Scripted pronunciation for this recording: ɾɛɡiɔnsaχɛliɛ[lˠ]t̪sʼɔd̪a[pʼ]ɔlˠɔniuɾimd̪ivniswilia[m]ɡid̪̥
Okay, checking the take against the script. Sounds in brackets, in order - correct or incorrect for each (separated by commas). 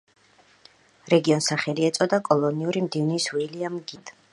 incorrect, incorrect, correct